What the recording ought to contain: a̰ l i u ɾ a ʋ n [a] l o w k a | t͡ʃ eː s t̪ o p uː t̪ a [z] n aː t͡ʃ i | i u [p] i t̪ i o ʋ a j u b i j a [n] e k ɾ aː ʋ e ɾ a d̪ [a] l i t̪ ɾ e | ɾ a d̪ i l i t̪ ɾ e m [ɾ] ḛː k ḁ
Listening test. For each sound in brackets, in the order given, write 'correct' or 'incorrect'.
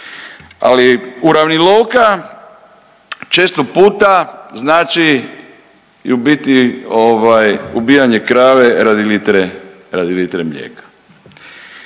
incorrect: i, correct, incorrect: b, incorrect: ɲ, incorrect: i, incorrect: ʎ

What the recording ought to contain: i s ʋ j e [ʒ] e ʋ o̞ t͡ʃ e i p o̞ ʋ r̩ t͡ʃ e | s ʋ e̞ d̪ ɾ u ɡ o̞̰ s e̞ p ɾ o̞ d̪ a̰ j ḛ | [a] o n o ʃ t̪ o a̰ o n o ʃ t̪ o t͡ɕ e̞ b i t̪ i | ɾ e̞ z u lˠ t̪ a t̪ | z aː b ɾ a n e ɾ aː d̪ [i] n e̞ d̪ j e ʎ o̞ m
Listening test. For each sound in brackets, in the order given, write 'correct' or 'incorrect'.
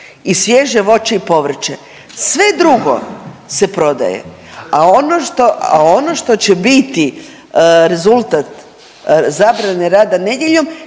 correct, correct, incorrect: a

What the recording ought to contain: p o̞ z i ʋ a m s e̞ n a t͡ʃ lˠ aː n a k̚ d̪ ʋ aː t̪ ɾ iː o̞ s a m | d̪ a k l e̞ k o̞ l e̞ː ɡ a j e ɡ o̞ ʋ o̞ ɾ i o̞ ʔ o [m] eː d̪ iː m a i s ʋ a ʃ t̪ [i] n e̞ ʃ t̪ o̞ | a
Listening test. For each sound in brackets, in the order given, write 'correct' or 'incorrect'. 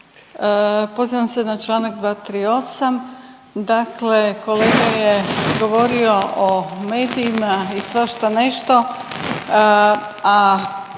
correct, incorrect: a

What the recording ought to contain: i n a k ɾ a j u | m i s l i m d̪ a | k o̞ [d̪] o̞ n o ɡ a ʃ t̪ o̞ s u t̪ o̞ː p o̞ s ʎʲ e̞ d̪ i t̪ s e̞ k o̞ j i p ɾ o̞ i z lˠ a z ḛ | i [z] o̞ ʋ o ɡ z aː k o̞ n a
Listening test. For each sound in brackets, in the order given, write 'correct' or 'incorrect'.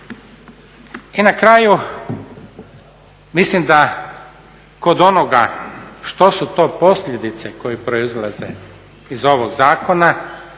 correct, correct

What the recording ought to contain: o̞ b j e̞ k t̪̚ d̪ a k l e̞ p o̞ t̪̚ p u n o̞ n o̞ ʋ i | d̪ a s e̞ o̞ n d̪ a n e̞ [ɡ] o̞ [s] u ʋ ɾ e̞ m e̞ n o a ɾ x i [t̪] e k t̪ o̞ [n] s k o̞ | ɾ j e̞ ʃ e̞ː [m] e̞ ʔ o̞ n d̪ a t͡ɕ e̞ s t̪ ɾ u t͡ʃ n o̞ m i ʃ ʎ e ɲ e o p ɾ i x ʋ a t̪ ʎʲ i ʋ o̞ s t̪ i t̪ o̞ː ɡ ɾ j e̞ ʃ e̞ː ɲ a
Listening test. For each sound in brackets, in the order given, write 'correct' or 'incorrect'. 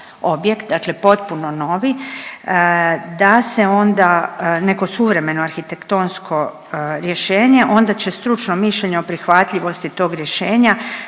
incorrect: k, correct, correct, correct, incorrect: ɲ

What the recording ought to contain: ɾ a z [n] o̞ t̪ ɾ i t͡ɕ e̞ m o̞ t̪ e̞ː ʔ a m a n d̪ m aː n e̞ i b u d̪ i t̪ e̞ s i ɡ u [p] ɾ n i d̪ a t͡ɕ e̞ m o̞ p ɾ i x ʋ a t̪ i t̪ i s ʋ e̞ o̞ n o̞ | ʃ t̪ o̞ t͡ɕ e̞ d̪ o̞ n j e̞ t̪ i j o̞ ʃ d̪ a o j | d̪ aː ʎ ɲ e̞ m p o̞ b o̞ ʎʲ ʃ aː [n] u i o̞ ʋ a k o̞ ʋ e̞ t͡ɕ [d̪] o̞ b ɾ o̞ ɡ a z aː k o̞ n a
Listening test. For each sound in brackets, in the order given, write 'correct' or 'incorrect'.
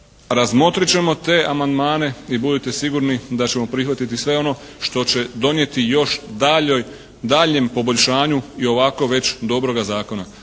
incorrect: m, incorrect: none, incorrect: ɲ, correct

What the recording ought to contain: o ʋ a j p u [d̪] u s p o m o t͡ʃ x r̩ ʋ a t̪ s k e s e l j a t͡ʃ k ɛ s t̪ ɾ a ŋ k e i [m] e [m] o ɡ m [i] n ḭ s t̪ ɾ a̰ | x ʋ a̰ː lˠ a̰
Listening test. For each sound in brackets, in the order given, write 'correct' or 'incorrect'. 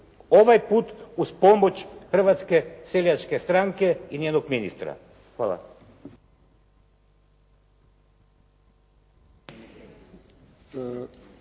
incorrect: t̪, incorrect: n, incorrect: n, correct

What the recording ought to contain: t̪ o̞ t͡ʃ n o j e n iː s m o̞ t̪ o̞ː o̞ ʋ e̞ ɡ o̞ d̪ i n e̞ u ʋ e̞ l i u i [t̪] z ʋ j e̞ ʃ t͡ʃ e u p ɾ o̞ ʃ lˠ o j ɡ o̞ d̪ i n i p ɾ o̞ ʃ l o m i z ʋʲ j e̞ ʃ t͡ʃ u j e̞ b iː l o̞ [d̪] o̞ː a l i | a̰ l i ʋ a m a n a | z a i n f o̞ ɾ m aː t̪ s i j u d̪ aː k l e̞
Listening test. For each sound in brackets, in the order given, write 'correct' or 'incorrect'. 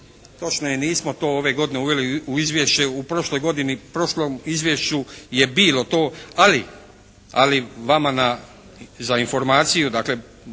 incorrect: none, incorrect: t̪

